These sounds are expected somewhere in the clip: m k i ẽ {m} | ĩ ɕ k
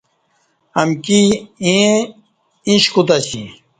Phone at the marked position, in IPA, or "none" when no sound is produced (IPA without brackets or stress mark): none